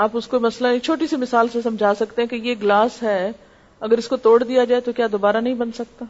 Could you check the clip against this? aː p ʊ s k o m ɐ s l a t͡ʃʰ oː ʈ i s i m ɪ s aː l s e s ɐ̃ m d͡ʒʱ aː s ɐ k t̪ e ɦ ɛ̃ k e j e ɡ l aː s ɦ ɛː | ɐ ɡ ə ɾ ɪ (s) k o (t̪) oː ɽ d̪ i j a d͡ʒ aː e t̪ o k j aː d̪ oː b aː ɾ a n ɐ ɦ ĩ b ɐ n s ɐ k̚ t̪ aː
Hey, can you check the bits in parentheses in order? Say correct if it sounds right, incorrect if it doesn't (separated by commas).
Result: correct, correct